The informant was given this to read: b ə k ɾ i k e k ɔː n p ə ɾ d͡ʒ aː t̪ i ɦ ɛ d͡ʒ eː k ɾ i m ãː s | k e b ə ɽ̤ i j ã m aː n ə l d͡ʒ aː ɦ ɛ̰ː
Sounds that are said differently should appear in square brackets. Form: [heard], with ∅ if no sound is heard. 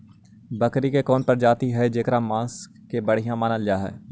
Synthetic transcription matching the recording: b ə k ɾ i k e k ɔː n p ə ɾ d͡ʒ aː t̪ i ɦ ɛ d͡ʒ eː k ɾ [a] m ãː s | k e b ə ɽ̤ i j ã m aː n ə l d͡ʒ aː ɦ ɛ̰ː